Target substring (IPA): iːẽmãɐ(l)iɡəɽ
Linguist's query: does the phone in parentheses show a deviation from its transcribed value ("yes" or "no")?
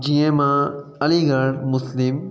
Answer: no